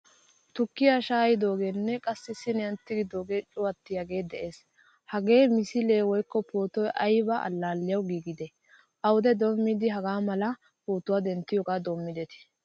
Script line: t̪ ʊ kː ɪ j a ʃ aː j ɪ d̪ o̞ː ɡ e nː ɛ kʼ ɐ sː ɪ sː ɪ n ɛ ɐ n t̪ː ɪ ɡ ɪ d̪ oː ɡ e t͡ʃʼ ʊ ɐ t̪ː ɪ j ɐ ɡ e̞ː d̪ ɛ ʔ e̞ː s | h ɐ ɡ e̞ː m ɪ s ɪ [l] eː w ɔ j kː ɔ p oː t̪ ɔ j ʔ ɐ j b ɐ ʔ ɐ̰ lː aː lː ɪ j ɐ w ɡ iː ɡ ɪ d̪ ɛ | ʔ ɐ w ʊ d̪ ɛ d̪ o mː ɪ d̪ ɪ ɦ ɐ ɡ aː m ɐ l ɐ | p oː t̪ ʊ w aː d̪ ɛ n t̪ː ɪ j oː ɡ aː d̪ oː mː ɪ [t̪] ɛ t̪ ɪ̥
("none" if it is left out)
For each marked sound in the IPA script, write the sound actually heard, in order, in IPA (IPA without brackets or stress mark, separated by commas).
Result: l, d̪